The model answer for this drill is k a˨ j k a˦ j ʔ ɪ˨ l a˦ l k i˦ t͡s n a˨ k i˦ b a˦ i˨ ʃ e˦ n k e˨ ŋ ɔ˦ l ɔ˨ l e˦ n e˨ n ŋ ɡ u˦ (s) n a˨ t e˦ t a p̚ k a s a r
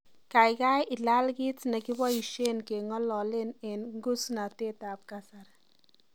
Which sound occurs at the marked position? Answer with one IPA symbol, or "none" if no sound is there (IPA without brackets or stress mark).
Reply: s